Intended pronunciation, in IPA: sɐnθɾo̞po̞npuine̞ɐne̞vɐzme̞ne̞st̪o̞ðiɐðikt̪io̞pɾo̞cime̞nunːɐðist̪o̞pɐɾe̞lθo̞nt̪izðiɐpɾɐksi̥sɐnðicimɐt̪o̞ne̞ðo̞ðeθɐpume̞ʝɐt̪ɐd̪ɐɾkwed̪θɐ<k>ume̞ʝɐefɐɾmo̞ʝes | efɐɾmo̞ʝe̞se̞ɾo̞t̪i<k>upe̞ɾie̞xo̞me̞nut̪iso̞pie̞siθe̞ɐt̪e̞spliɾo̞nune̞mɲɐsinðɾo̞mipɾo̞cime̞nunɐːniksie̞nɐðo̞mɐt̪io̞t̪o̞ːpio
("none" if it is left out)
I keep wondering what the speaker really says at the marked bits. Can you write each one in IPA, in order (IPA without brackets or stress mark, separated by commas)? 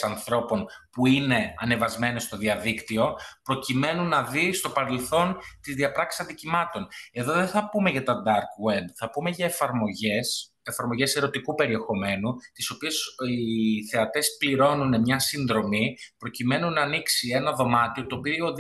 p, k